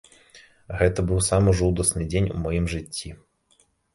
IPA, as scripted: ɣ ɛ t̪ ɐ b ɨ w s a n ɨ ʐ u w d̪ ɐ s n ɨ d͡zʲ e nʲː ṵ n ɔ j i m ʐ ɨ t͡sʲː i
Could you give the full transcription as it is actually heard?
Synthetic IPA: ɣ ɛ t̪ ɐ b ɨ w s a m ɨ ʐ u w d̪ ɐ s n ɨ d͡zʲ e nʲ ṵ m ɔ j i m ʐ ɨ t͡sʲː i